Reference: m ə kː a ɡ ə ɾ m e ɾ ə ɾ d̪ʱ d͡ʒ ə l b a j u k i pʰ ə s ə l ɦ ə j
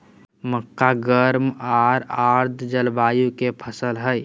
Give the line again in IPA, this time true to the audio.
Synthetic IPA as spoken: m ə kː a ɡ ə ɾ m a ɾ a ɾ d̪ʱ d͡ʒ ə l b a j u k e pʰ ə s ə l ɦ ə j